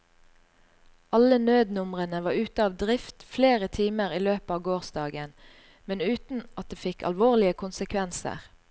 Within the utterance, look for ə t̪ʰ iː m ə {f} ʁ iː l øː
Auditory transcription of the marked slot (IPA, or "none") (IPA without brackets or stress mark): none